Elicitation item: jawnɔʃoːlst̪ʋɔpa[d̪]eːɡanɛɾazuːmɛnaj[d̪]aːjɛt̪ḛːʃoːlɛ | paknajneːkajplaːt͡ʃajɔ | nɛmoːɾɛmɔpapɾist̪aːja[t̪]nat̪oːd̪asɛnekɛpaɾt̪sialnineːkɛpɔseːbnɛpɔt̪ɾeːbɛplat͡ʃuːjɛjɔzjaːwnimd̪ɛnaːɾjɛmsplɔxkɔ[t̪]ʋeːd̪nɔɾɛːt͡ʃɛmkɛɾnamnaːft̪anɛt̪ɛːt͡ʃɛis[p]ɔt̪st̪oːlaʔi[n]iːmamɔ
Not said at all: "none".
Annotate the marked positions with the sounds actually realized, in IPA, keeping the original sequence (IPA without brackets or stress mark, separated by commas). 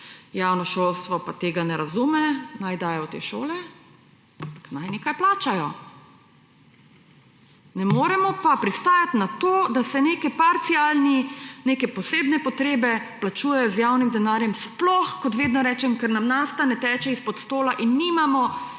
t̪, d̪, t̪, t̪, p, nː